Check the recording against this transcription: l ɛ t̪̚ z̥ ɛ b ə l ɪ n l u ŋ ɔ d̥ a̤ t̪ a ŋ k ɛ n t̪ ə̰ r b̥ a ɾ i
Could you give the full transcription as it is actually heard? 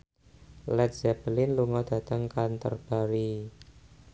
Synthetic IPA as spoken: l ɛ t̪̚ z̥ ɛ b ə l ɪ n l u ŋ ɔ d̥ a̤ t̪ ə ŋ k a n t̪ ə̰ r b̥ a ɾ i

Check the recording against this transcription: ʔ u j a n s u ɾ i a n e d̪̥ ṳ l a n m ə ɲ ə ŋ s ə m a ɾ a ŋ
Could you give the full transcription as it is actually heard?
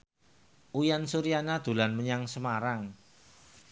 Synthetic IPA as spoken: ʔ u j a n s u ɾ i a n a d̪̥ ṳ l a n m ə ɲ a ŋ s ə m a ɾ a ŋ

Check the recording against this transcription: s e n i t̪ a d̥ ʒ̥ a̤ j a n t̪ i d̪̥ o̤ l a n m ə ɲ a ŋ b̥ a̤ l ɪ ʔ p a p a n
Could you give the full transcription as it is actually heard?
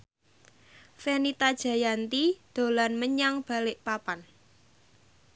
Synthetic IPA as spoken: f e n i t̪ a d̥ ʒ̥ a̤ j a n t̪ i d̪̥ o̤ l a n m ə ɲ a ŋ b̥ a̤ l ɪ ʔ p a p a n

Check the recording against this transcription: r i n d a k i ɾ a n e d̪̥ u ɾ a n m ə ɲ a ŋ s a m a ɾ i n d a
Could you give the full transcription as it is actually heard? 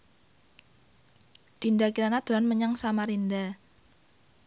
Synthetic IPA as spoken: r i n d a k i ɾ a n a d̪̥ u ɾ a n m ə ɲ a ŋ s a m a ɾ i n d a

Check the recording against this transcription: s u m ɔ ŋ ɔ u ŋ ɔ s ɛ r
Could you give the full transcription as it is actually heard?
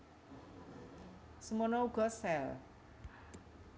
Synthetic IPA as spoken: s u m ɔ n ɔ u ɡ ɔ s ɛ l

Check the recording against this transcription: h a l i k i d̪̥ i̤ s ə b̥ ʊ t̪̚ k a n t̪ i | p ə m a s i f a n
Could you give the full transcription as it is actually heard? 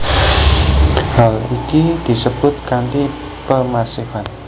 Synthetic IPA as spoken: h a l i k i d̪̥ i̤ s ə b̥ ʊ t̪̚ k a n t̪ i | p ə m a s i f a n

